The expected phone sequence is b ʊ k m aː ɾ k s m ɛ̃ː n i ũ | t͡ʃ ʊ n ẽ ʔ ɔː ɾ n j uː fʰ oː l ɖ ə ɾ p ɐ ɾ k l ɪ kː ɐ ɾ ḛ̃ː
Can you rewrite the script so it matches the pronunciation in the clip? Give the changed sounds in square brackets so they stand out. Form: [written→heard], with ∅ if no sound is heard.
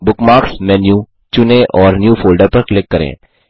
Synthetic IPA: b ʊ k m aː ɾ k s m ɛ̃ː n [i→j] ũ | t͡ʃ ʊ n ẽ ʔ ɔː ɾ n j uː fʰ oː l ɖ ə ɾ p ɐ ɾ k l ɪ kː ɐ ɾ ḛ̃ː